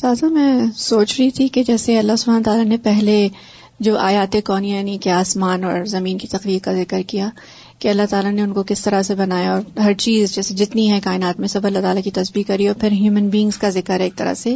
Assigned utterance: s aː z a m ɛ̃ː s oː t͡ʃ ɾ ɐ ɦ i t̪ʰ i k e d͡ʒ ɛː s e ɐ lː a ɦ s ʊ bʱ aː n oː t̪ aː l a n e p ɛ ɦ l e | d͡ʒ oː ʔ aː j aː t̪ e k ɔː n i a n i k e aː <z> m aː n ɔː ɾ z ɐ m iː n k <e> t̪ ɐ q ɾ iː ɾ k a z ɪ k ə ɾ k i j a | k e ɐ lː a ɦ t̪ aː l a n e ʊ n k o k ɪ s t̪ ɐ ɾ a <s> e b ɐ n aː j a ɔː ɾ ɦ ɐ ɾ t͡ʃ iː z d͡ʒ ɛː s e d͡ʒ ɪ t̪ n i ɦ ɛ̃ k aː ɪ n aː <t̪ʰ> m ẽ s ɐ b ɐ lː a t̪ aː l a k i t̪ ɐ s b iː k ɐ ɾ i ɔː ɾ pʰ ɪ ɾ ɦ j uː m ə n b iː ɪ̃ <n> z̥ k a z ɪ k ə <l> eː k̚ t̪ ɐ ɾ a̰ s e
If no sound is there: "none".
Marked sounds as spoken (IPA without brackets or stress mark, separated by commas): s, i, s, t̪, ŋ, ɾ